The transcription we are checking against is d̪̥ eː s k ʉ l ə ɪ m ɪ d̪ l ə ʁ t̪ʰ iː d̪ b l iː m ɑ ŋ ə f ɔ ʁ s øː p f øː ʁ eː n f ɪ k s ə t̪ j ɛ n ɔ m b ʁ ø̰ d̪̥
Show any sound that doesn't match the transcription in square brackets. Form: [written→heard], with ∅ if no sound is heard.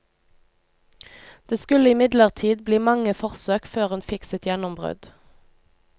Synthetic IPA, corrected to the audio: d̪̥ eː s k ʉ l ə ɪ m ɪ d̪ l ə ʁ t̪ʰ iː d̪ b l iː m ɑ ŋ ə f ɔ ʁ s øː [p→k] f øː ʁ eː n f ɪ k s ə t̪ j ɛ n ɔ m b ʁ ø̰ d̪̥